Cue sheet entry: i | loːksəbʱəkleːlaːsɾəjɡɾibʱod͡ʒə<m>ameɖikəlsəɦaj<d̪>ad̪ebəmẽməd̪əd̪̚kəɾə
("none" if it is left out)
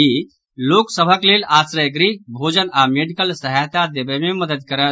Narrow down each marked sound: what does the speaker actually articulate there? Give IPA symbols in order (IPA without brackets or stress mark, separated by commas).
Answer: n, t̪